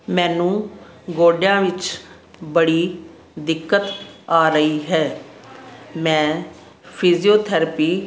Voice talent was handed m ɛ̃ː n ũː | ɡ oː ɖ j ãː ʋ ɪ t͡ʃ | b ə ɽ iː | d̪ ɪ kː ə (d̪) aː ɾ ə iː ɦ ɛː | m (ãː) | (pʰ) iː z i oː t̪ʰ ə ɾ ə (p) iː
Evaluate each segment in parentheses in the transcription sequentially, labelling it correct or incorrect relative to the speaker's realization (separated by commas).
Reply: incorrect, incorrect, correct, correct